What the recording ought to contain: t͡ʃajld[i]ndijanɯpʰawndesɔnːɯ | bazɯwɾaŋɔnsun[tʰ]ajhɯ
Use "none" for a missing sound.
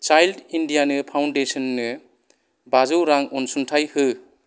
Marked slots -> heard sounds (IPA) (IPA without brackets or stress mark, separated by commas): i, tʰ